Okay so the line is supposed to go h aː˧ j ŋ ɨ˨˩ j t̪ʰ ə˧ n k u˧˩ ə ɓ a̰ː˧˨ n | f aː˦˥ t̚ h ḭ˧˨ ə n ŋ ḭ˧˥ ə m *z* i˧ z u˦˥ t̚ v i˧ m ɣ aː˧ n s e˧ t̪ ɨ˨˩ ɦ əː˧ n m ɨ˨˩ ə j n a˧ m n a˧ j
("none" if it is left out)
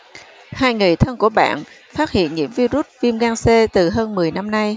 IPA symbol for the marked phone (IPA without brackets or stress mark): v